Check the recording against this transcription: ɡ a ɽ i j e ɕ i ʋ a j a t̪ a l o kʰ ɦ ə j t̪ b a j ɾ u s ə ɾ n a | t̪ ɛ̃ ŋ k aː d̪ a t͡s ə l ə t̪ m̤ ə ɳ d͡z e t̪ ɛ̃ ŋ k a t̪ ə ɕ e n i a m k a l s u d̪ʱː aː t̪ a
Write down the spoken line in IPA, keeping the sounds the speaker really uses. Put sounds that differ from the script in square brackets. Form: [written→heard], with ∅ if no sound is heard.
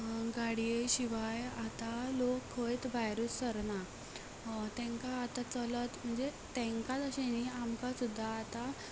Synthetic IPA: ɡ a ɽ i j e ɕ i ʋ a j a t̪ a l o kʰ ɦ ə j t̪ b a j ɾ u s ə ɾ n a | t̪ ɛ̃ ŋ k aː [d̪→t̪] a t͡s ə l ə t̪ m̤ ə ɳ d͡z e t̪ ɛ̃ ŋ k a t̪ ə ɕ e n i a m k a [l→∅] s u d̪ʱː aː t̪ a